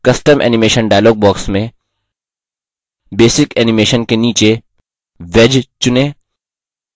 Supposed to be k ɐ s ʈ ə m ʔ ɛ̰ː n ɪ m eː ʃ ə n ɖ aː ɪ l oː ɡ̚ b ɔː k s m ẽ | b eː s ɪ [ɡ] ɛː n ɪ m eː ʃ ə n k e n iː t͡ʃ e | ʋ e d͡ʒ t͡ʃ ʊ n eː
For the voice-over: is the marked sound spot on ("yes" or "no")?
no